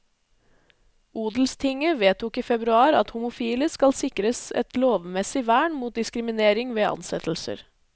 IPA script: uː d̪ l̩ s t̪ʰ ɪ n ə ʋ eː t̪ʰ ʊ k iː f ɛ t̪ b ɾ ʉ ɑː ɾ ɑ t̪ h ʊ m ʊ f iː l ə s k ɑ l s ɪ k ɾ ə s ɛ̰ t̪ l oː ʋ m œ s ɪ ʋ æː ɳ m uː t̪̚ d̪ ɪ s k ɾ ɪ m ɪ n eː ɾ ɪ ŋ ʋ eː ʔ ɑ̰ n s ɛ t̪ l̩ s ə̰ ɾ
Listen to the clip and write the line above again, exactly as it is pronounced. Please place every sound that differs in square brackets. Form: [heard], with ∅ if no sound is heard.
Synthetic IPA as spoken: uː d̪ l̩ s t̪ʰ ɪ [ŋ] ə ʋ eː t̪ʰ ʊ k iː f ɛ [∅] b ɾ ʉ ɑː ɾ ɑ t̪ h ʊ m ʊ f iː l ə s k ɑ l s ɪ k ɾ ə s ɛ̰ t̪ l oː ʋ m [ɛ] s ɪ ʋ æː ɳ m uː t̪̚ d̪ ɪ s k ɾ ɪ m ɪ n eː ɾ ɪ ŋ ʋ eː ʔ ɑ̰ n s ɛ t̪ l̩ s ə̰ ɾ